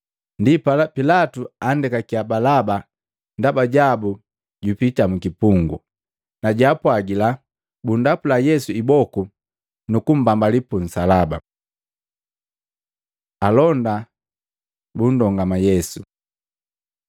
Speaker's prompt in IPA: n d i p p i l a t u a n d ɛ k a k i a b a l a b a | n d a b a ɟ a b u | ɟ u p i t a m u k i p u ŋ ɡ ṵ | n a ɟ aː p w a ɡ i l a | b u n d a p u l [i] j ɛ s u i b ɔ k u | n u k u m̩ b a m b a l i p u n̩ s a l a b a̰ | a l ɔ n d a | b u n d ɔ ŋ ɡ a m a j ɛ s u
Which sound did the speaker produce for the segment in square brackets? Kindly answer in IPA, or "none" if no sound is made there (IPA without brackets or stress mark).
a